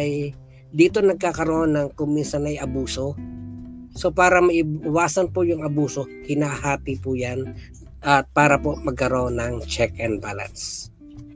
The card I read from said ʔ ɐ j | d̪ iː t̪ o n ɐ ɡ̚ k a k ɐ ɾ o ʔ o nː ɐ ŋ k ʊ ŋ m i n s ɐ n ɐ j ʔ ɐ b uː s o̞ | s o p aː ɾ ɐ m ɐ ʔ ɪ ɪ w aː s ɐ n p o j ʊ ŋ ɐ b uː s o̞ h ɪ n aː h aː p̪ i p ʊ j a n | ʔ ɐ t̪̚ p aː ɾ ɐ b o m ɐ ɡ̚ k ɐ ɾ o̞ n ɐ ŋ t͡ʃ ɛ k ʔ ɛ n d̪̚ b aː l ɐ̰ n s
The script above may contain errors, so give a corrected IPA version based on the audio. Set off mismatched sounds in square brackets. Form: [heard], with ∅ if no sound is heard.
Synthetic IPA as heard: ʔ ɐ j | d̪ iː t̪ o n ɐ ɡ̚ k a k ɐ ɾ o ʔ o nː ɐ ŋ k ʊ ŋ m i n s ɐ n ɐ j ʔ ɐ b uː s o̞ | s o p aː ɾ ɐ m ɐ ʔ ɪ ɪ w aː s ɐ n p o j ʊ ŋ ɐ b uː s o̞ h ɪ n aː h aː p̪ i p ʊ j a n | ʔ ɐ t̪̚ p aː ɾ ɐ [p] o m ɐ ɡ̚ k ɐ ɾ o̞ n ɐ ŋ t͡ʃ ɛ k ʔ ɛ n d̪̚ b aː l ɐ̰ n s